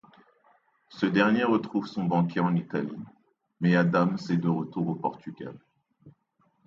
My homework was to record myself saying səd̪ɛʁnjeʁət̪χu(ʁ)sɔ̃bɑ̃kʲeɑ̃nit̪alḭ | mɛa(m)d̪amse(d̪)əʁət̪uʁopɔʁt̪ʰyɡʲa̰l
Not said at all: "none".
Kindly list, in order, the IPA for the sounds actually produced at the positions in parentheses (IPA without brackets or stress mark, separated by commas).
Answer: v, none, d̪